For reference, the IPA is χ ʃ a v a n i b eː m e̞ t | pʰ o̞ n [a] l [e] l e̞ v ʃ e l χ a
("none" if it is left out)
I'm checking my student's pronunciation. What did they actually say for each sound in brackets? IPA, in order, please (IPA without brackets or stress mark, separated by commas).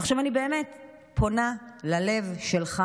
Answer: a, a